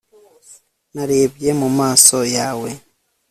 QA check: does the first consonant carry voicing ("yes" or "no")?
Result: yes